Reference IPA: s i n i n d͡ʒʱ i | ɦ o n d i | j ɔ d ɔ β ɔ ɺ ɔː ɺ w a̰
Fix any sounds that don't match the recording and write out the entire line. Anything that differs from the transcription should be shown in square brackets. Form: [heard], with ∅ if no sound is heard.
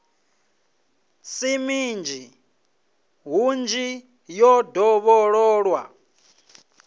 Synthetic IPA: s i [m] i n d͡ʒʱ i | ɦ [u] n [d͡ʒ] i | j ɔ d ɔ β ɔ ɺ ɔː ɺ w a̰